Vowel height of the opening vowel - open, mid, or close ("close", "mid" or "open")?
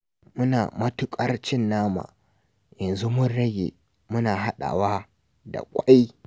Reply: close